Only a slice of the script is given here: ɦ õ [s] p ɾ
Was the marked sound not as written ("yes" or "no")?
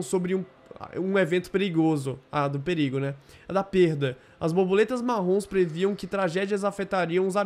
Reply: no